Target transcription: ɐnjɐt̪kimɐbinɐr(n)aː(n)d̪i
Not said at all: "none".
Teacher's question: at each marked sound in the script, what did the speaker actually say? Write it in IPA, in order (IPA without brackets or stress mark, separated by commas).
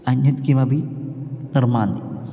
m, n